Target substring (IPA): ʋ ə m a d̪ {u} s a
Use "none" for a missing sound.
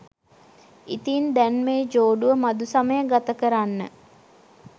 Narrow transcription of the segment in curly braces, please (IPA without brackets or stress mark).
u